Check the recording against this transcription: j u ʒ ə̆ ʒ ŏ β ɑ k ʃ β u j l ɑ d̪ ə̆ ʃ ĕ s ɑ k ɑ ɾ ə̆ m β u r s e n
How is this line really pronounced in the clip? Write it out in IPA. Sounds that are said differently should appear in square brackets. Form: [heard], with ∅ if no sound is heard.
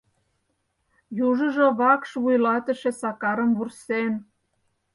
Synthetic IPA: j u ʒ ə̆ ʒ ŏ β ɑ k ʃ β u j l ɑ [t̪] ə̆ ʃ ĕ s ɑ k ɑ ɾ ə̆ m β u r s e n

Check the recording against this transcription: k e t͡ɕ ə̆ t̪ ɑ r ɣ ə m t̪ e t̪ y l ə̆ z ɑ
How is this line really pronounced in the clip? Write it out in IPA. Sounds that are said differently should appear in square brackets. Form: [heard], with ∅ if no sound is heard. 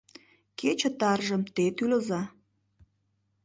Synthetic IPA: k e t͡ɕ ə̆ t̪ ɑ r [ʒ] ə m t̪ e t̪ y l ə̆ z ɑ

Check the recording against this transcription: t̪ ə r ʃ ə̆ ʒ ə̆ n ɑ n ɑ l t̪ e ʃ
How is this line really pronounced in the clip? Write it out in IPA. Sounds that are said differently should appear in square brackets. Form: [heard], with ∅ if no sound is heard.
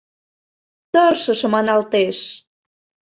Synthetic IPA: t̪ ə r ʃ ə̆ [ʃ] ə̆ [m] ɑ n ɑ l t̪ e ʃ

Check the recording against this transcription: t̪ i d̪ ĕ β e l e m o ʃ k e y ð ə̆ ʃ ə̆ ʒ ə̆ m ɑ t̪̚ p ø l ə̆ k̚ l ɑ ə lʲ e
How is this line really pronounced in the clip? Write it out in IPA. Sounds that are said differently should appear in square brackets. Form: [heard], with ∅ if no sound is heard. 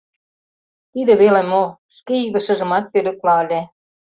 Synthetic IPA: t̪ i d̪ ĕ β e l e m o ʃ k e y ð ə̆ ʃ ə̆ ʒ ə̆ m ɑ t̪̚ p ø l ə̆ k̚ l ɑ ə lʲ e

